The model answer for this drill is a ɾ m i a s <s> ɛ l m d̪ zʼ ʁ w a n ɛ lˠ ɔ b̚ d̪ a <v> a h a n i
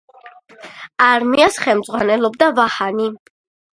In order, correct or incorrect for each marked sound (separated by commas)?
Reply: incorrect, correct